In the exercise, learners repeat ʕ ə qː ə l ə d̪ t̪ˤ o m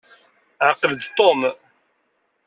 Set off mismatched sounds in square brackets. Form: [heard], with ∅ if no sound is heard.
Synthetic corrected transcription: ʕ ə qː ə l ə d̪ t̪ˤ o m